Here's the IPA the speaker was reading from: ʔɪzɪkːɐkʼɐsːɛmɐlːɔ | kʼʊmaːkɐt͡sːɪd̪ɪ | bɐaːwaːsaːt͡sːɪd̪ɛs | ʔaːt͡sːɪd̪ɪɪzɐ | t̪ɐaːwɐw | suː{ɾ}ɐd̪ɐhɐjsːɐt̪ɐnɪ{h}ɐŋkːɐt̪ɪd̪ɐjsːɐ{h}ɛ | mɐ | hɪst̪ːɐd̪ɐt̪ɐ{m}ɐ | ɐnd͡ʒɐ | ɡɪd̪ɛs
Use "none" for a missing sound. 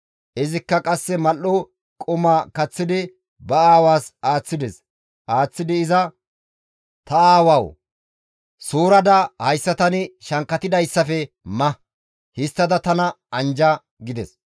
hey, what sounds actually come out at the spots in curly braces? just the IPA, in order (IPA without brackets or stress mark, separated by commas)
ɾ, ʃ, f, n